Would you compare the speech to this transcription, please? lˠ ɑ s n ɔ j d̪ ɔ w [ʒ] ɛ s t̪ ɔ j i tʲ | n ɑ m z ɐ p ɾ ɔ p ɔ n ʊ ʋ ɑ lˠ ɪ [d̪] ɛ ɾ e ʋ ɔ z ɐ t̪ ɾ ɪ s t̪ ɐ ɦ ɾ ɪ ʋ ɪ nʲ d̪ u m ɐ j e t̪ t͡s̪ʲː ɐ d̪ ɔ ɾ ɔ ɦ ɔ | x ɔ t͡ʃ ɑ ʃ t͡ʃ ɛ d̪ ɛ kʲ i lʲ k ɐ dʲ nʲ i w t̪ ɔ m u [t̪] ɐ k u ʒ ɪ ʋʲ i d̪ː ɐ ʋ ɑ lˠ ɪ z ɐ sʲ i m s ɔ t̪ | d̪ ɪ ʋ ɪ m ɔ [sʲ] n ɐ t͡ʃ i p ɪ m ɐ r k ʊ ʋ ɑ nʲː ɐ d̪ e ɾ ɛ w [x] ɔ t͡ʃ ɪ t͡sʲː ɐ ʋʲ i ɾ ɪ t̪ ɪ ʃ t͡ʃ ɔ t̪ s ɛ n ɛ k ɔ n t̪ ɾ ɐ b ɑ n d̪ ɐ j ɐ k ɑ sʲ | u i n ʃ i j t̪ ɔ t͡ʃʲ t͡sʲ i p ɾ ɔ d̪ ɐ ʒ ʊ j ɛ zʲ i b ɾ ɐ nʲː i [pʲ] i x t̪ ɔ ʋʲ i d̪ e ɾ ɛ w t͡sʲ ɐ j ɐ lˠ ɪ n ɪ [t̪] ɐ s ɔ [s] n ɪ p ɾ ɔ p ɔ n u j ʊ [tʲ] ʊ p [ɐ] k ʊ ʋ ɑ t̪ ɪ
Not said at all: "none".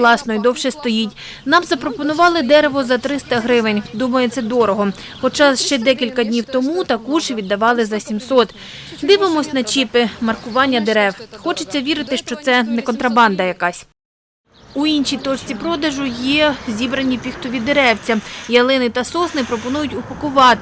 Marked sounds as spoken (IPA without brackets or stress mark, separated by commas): ʃ, d̪, t̪, sʲ, x, pʲ, t̪, s, tʲ, ɐ